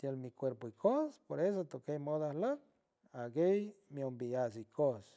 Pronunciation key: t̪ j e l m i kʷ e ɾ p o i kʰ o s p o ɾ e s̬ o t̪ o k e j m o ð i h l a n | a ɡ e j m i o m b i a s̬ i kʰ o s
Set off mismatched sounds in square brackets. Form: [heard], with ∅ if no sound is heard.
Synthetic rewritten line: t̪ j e l m i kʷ e ɾ p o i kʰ o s p o ɾ e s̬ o t̪ o k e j m o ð [a] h l a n | a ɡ e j m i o m b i a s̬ i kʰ o s

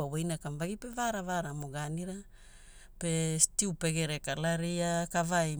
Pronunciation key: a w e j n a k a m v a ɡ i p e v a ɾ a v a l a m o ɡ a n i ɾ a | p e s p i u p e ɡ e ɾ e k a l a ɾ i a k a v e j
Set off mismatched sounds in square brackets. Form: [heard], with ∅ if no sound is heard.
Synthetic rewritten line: a w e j n a k a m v a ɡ i p e v a ɾ a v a [ɾ] a m o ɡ a n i ɾ a | p e s [t] i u p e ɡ e ɾ e k a l a ɾ i a k a v [a] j

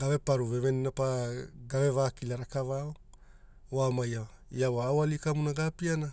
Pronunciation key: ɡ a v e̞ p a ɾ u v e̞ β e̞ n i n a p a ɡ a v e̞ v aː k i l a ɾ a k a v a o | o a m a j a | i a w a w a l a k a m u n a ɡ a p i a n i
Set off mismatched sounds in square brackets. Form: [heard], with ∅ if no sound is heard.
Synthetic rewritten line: ɡ a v e̞ p a ɾ u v e̞ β e̞ n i n a p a ɡ a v e̞ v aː k i l a ɾ a k a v a o | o a m a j a | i a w a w a l [i] k a m u n a ɡ a p i a n [a]

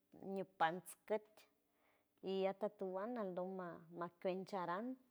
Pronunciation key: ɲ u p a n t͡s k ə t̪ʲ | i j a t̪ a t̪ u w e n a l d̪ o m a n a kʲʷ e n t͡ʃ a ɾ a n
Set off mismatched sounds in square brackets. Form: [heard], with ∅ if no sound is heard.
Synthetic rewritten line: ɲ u p a n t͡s k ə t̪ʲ | i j a t̪ a t̪ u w [a] n a l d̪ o m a [m] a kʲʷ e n t͡ʃ a ɾ a n

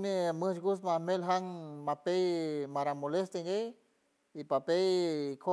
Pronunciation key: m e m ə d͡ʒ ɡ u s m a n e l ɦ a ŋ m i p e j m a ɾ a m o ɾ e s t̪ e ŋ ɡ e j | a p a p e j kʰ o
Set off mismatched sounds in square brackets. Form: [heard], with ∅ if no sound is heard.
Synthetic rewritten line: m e m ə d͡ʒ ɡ u s m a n e l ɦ a ŋ m [a] p e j m a ɾ a m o [l] e s t̪ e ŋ ɡ e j | [i] p a p e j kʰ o

